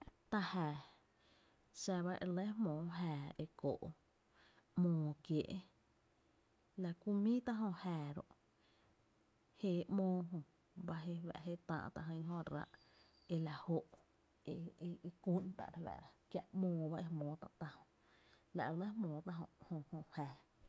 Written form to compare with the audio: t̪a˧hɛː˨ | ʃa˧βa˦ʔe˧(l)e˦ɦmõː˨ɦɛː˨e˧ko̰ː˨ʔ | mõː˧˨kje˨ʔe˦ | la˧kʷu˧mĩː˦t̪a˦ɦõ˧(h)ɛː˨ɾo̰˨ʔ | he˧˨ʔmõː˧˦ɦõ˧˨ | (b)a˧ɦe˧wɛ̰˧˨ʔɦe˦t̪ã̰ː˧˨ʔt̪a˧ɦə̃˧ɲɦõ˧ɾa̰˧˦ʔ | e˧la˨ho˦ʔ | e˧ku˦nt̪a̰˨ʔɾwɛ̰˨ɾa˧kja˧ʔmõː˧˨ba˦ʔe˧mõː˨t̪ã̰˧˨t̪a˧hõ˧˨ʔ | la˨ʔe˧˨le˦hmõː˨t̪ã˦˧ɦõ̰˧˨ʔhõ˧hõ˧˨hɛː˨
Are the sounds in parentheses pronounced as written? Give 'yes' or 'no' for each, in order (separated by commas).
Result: yes, yes, yes